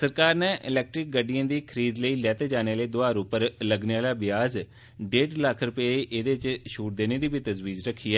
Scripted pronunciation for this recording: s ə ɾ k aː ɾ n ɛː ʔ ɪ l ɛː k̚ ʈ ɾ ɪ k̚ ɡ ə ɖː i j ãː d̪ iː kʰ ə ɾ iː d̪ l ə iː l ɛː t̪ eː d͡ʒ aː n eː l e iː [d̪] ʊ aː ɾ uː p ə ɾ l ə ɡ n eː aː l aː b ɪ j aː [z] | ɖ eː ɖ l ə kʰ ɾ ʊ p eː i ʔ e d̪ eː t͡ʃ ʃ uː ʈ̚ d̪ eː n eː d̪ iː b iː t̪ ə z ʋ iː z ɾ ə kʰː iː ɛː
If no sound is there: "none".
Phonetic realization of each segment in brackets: d̪, z

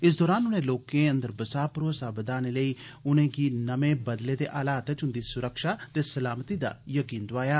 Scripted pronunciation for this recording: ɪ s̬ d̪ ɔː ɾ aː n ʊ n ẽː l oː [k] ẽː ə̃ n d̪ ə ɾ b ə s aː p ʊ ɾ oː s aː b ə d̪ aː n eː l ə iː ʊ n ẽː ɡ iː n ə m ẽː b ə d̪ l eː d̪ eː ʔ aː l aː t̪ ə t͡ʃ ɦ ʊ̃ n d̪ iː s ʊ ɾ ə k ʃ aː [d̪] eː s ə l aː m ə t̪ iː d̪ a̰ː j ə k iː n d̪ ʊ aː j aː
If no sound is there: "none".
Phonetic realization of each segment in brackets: k, t̪

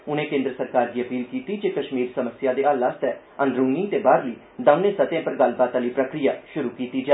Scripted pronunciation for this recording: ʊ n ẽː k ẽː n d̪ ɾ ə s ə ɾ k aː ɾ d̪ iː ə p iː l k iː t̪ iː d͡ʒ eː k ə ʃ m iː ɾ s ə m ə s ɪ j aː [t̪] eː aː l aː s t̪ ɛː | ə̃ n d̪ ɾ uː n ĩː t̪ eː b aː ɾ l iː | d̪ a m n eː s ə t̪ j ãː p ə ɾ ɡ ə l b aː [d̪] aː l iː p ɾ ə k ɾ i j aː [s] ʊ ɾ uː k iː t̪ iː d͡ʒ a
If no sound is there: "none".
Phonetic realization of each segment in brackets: d̪, t̪, ʃ

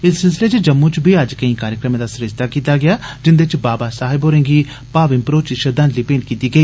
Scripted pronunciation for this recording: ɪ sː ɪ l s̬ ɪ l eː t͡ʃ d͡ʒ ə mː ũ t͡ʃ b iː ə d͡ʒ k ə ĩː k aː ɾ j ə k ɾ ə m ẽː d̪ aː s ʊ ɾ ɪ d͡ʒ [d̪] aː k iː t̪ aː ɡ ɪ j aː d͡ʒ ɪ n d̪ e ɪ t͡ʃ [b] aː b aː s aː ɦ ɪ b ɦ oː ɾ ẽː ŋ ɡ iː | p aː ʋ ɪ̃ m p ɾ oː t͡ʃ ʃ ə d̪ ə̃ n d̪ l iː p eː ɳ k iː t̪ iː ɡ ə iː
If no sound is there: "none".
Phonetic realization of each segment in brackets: t̪, b

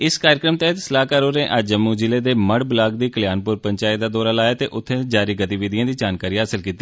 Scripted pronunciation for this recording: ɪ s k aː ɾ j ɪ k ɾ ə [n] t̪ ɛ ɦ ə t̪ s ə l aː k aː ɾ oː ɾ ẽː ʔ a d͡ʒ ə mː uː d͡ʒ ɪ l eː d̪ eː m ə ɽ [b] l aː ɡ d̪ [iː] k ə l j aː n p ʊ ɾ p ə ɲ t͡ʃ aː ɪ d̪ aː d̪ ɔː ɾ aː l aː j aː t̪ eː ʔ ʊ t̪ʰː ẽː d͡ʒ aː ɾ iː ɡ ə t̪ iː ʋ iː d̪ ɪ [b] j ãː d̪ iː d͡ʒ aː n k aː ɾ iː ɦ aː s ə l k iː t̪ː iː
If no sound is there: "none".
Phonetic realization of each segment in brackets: m, b, iː, none

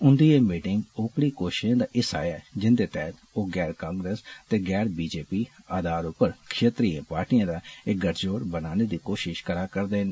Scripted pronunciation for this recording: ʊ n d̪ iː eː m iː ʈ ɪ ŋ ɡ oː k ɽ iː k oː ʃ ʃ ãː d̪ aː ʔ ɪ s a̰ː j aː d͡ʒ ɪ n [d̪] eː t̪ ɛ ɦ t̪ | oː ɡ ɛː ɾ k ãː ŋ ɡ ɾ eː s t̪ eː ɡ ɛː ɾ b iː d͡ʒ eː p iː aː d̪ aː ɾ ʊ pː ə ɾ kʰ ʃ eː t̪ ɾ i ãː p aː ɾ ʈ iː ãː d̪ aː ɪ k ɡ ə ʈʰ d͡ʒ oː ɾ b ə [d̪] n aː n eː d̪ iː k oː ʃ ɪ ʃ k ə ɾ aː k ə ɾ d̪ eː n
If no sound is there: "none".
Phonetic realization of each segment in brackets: d̪, none

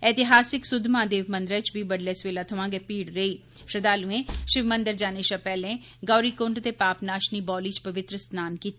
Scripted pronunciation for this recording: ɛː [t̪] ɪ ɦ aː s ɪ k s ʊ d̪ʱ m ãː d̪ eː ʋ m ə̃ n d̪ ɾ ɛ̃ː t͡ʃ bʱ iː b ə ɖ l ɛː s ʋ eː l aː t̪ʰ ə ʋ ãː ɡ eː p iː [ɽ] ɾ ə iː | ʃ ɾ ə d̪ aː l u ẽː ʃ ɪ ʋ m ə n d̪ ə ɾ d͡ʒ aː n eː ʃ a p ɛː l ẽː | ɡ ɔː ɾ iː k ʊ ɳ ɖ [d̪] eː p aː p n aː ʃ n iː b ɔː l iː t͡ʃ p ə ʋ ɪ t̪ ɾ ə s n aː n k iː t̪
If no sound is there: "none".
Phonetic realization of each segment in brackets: t̪, ɽ, t̪

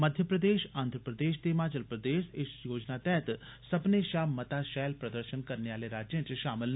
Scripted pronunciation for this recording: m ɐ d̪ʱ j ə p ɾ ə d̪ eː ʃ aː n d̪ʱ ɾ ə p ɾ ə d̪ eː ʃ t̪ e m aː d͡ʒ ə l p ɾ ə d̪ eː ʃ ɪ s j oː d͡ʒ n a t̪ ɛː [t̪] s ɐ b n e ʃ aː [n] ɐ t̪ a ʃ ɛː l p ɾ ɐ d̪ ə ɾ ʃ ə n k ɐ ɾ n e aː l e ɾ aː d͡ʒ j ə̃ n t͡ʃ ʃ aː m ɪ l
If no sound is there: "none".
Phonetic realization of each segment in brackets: t̪, m

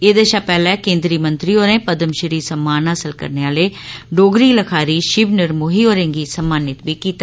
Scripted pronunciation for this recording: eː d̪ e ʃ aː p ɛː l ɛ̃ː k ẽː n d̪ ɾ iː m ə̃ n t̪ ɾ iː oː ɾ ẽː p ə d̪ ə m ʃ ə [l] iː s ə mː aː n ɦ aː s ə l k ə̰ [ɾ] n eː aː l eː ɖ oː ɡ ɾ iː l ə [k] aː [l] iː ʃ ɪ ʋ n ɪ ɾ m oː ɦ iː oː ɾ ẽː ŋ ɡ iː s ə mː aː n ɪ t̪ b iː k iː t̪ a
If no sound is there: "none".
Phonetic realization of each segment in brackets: ɾ, ɾ, kʰ, ɾ

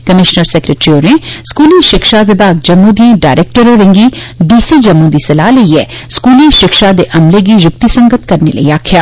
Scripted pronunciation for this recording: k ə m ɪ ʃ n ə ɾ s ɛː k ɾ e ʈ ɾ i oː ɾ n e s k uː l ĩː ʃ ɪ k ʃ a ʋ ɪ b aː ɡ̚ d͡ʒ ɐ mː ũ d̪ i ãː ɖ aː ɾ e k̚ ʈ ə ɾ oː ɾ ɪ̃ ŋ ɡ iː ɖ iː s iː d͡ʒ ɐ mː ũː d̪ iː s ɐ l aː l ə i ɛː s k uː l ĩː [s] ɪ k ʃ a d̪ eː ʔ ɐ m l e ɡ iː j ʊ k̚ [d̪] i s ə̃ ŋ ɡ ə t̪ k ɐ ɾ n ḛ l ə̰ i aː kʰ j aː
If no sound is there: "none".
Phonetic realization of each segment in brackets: ʃ, t̪

